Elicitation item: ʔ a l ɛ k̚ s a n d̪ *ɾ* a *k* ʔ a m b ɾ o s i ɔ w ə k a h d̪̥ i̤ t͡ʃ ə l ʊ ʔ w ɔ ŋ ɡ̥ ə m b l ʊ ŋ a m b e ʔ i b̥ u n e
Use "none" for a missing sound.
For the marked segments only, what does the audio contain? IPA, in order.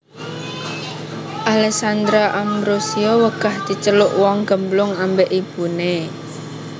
ɾ, none

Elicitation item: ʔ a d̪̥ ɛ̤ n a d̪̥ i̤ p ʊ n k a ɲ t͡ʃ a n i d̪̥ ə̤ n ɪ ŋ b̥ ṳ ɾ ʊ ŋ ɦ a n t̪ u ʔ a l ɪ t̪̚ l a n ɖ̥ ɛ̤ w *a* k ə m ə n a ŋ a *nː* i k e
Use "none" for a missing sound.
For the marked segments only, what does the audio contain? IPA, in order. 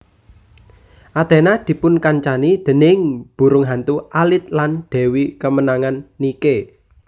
i, nː

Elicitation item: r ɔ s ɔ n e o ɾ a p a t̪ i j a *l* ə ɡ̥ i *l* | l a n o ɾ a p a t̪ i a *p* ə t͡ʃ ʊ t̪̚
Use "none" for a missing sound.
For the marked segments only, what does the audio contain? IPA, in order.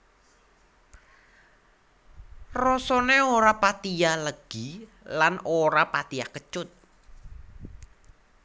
l, none, k

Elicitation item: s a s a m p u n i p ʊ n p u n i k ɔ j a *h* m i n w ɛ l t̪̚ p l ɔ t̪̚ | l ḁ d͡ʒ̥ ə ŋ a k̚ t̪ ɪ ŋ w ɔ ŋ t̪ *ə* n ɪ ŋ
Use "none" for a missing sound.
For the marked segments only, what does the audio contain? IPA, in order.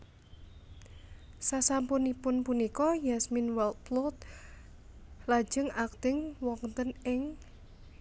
s, ə

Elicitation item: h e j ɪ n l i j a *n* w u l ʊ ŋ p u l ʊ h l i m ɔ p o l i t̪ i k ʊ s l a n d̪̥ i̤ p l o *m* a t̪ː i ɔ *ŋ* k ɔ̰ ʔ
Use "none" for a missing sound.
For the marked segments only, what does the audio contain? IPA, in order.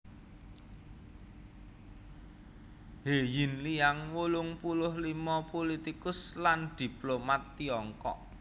ŋ, m, ŋ

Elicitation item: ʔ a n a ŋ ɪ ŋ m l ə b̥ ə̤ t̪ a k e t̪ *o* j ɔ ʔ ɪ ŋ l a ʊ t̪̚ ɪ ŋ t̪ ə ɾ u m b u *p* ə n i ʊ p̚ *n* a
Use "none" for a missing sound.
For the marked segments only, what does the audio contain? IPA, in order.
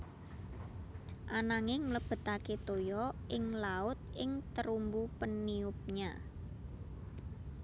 o, p, ɲ

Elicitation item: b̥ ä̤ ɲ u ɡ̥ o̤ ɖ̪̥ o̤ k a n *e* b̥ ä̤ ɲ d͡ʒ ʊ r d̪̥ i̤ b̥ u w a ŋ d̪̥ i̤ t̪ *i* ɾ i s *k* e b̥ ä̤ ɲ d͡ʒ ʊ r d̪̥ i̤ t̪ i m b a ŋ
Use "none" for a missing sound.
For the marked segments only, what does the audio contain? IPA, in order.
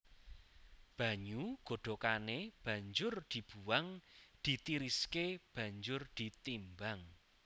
e, i, k

